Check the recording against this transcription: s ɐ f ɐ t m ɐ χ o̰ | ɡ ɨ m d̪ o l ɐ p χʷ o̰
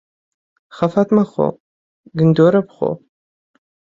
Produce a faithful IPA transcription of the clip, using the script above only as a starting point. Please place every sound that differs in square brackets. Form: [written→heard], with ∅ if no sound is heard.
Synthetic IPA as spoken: [s→χ] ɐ f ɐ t m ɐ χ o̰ | ɡ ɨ [m→n] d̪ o [l→ɾ] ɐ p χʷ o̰